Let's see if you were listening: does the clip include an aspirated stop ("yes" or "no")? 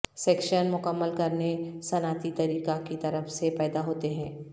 no